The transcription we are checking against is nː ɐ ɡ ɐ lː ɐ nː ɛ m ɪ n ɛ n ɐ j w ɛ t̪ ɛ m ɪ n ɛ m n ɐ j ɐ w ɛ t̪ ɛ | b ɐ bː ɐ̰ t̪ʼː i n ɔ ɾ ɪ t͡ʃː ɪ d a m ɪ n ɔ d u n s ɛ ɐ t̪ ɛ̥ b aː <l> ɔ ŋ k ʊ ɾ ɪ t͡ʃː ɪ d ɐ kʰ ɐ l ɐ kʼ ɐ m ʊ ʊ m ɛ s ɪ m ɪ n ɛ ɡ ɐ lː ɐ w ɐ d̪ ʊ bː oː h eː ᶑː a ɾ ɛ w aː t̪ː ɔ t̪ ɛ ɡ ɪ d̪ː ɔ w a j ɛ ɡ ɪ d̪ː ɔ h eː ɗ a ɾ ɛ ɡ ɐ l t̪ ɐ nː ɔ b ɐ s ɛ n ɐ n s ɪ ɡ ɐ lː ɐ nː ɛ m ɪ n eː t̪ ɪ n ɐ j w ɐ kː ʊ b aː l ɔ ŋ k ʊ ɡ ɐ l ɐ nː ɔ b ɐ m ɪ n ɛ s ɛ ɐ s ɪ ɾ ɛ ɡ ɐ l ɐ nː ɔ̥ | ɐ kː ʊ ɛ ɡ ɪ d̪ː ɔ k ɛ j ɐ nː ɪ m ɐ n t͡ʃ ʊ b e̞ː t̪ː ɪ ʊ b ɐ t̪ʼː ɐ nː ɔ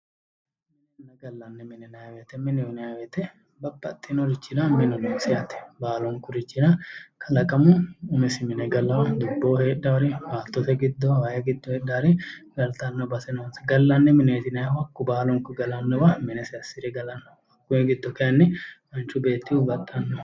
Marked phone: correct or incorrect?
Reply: correct